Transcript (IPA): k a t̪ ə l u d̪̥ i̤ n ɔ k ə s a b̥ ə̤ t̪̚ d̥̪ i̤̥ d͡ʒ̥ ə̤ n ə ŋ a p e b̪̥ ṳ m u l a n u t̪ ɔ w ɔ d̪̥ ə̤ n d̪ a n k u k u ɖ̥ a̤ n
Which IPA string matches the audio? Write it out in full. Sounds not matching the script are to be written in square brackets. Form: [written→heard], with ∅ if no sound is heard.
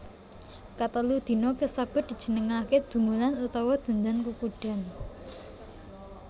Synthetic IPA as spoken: k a t̪ ə l u d̪̥ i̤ n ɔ k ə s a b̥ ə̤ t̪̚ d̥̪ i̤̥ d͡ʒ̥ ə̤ n ə ŋ a [p→k] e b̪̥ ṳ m u l a n u t̪ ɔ w ɔ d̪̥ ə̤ n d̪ a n k u k u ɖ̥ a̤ n